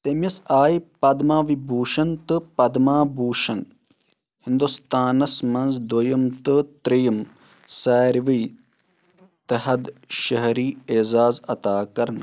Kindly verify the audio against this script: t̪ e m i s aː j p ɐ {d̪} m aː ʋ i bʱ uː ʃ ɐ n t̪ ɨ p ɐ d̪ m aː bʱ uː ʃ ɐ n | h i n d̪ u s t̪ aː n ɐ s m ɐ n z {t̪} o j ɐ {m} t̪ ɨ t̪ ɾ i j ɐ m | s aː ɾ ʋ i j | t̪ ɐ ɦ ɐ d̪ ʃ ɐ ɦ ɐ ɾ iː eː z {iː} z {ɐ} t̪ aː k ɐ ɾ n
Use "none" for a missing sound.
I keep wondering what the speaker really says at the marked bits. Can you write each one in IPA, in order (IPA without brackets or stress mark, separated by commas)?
d̪, d̪, m, aː, ɐ